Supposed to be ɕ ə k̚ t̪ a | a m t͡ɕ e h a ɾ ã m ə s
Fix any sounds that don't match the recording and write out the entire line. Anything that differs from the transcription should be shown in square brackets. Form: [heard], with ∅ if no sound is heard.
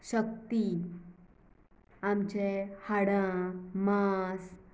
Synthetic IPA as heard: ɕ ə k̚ t̪ [i] | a m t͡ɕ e h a [ɽ] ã m [a] s